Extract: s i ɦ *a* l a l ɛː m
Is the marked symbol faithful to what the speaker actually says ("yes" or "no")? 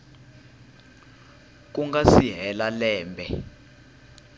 no